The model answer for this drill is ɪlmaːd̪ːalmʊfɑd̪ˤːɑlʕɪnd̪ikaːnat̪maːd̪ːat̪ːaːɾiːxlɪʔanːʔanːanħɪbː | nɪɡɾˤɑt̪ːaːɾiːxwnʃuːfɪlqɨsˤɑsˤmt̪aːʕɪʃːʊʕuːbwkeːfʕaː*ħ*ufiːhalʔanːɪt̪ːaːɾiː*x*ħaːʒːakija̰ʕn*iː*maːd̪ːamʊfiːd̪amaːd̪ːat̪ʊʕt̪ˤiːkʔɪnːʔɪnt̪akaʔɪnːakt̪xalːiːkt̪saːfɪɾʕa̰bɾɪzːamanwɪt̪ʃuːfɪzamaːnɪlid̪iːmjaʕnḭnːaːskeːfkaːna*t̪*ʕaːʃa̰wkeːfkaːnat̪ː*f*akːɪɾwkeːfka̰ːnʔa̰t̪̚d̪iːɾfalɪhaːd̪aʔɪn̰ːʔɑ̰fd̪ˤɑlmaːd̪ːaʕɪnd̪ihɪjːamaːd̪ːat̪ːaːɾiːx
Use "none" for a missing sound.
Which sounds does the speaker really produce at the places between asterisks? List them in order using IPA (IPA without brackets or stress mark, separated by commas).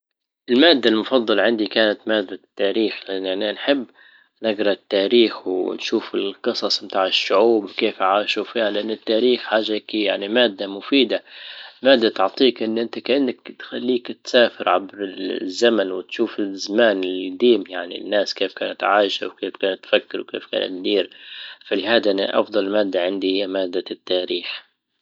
ʃ, x, i, t̪, f